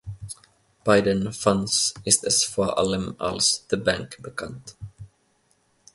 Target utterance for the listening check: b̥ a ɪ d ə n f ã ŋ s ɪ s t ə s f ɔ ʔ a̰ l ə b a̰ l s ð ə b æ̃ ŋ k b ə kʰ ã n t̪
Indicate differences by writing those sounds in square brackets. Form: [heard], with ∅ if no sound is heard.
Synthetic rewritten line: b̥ a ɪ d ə n f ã [n] s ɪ s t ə s f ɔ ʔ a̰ l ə [m] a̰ l s ð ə b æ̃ ŋ k b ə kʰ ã n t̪

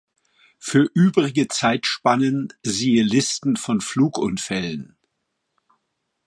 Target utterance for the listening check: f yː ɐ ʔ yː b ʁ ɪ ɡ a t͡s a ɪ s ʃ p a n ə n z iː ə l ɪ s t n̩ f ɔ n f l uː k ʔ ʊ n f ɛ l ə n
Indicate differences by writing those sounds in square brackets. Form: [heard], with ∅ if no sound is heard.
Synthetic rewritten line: f yː ɐ ʔ yː b ʁ ɪ ɡ [ə] t͡s a ɪ [t] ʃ p a n ə n z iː ə l ɪ s t n̩ f ɔ n f l uː k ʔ ʊ n f ɛ l ə n

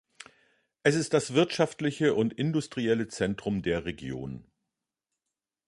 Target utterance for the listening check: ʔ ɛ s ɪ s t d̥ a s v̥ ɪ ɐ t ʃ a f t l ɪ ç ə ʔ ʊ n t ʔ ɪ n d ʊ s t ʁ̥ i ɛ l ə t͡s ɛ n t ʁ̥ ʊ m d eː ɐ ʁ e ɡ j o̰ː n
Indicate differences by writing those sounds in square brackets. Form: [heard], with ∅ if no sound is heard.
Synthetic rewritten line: ʔ ɛ s ɪ s t d̥ a s v̥ ɪ ɐ t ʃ a f t l ɪ ç ə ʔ ʊ n t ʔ ɪ n d ʊ s t ʁ̥ i ɛ l ə t͡s ɛ n t ʁ̥ ʊ m d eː ɐ ʁ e ɡ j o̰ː n

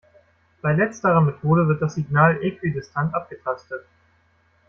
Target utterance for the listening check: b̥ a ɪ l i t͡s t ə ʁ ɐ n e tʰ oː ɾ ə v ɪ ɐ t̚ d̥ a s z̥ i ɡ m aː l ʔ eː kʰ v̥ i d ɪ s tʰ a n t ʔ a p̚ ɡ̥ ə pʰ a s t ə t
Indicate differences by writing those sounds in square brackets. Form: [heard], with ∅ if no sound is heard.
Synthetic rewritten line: b̥ a ɪ l [ɛ] t͡s t ə ʁ ɐ [m] e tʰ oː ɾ ə v ɪ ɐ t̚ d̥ a s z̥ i ɡ [n] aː l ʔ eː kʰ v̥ i d ɪ s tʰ a n t ʔ a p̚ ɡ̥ ə [tʰ] a s t ə t

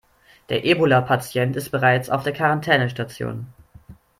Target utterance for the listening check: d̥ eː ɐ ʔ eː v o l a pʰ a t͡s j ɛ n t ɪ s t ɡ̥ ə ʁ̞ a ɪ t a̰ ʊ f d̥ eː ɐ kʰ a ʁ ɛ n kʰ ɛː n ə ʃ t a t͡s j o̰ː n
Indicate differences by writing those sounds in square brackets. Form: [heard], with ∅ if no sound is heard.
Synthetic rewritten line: d̥ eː ɐ ʔ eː [b] o l a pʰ a t͡s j ɛ n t ɪ s t [b̥] ə ʁ̞ a ɪ [t͡s] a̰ ʊ f d̥ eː ɐ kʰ a ʁ [a] n [tʰ] ɛː n ə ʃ t a t͡s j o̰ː n

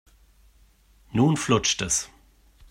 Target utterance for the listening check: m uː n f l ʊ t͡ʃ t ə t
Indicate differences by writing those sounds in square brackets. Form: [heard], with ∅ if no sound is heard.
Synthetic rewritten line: [n] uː n f l ʊ t͡ʃ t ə [s]

